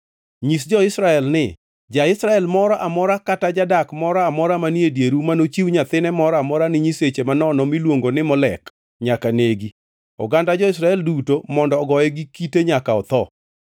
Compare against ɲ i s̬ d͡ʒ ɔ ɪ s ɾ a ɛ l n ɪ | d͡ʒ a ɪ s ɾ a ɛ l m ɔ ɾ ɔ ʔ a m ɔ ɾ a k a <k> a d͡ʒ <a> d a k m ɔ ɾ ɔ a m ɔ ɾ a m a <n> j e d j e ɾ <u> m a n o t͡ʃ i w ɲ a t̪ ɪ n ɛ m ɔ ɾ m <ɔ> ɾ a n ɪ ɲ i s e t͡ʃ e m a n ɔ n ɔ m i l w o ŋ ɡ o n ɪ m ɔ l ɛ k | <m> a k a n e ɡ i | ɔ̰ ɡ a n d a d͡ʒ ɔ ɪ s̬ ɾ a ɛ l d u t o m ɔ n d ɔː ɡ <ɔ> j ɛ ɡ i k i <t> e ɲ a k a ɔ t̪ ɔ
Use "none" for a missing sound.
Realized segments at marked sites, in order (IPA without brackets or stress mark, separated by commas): t, a, n, u, ɔ, ɲ, ɔ, t